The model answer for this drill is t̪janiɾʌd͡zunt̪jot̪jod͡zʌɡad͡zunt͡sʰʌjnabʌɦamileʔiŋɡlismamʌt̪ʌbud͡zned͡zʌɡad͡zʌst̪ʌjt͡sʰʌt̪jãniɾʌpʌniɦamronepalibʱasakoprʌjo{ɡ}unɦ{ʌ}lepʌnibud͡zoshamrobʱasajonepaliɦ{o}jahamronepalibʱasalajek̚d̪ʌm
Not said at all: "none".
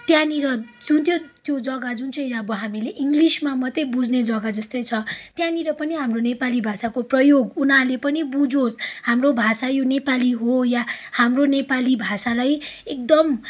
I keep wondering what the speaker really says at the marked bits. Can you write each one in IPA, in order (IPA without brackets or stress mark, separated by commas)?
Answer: ɡ, a, o